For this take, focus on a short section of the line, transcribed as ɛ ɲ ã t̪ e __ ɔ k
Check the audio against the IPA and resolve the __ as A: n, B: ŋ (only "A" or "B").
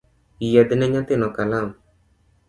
A